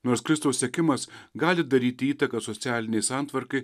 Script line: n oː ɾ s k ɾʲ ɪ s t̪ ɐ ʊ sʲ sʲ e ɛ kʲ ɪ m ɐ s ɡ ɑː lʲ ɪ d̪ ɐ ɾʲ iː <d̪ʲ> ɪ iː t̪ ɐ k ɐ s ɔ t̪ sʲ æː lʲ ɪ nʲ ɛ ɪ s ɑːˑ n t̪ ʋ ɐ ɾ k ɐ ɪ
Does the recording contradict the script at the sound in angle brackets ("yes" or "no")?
yes